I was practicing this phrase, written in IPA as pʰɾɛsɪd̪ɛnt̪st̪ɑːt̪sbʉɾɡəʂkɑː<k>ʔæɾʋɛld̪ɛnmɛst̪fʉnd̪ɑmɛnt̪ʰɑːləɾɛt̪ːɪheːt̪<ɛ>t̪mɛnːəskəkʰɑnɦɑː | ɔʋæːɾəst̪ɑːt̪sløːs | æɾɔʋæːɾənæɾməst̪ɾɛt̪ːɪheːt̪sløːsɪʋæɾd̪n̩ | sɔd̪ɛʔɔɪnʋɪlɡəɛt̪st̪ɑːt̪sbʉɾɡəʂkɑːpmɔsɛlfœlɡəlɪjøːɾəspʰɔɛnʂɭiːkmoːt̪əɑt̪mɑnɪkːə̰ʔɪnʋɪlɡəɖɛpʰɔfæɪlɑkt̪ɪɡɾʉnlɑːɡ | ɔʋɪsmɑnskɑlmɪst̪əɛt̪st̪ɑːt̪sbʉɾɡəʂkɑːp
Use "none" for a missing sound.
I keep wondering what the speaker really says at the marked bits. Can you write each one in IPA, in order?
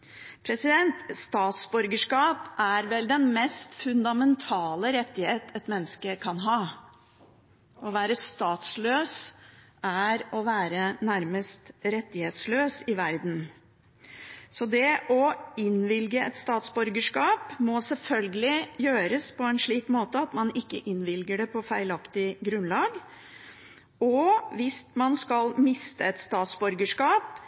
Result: p, ɛ

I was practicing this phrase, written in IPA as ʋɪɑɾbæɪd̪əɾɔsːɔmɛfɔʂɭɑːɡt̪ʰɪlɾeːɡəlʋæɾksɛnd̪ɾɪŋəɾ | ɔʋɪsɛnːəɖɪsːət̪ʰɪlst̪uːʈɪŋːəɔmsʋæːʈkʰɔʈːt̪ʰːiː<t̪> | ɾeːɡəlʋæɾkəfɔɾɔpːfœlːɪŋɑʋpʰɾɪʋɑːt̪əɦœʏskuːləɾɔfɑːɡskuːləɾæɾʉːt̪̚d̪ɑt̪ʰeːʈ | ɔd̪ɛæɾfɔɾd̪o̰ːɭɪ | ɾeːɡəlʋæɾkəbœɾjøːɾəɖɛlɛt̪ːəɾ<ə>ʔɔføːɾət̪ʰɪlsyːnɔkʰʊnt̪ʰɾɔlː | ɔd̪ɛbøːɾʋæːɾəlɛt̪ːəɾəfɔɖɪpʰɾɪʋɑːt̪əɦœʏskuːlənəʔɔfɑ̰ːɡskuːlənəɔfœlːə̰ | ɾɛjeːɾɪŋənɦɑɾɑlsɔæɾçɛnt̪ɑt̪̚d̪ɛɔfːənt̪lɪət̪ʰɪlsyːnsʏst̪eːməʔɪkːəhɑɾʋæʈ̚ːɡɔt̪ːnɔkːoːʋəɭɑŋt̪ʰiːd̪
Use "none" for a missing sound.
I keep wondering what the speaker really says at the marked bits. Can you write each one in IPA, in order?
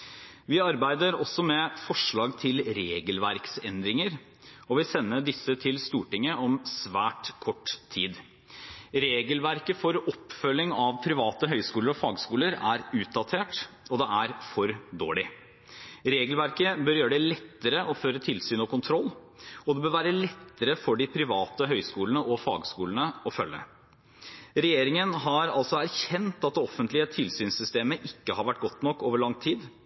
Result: d̪, ə

